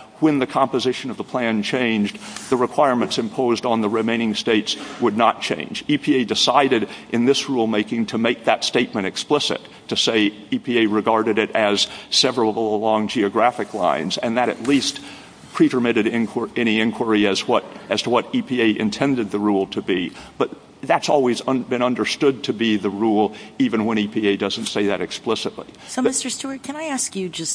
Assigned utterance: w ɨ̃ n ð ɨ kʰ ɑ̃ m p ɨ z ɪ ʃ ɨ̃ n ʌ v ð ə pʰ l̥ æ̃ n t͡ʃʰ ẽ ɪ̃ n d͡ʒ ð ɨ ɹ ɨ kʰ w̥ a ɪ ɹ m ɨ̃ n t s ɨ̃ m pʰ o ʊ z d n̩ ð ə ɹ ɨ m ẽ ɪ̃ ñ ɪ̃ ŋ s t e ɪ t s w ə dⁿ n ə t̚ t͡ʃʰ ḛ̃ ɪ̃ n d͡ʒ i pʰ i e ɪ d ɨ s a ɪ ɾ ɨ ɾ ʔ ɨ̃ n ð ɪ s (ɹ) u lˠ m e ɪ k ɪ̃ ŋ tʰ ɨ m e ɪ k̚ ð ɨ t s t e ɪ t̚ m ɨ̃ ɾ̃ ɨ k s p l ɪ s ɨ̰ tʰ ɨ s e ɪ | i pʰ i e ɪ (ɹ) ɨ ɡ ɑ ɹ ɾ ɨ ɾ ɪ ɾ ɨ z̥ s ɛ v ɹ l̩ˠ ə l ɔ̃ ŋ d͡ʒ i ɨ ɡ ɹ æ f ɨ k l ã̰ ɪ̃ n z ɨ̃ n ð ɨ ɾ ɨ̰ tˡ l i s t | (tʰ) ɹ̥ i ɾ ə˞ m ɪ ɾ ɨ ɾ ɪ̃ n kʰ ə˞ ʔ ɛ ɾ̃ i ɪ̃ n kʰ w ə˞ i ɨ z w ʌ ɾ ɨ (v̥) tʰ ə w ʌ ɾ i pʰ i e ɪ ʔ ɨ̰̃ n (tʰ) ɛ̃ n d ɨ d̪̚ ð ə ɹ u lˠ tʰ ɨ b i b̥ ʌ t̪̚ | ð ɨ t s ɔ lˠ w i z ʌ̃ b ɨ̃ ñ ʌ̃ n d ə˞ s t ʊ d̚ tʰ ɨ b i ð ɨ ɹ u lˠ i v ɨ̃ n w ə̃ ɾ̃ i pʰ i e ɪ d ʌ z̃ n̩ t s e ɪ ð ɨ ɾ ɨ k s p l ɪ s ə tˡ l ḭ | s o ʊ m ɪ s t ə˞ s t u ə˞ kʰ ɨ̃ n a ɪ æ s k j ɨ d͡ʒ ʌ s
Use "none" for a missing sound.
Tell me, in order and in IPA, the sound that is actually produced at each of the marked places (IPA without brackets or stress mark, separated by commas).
ɹ, ɹ, pʰ, z̥, tʰ